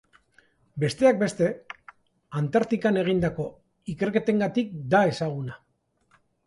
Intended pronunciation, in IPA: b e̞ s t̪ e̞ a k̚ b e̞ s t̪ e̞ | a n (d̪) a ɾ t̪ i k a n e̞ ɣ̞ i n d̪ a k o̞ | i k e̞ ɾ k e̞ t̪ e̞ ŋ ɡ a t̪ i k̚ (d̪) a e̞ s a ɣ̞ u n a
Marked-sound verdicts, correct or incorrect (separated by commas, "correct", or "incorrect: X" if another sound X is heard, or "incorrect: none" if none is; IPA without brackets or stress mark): incorrect: t̪, correct